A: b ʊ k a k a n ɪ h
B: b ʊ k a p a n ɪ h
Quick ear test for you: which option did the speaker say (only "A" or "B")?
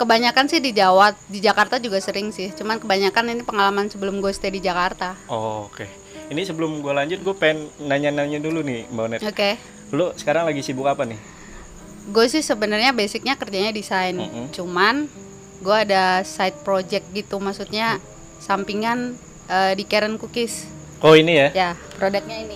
B